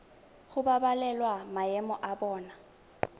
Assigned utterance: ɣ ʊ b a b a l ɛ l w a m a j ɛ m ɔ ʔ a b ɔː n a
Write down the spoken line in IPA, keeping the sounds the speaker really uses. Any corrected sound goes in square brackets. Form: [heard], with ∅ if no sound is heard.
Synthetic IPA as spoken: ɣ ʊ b a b a l ɛ l w a m a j ɛ m ɔ ʔ a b ɔː n a